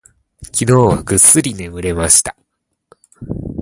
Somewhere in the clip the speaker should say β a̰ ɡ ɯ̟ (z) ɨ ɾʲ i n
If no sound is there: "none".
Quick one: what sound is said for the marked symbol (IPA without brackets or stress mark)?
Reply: s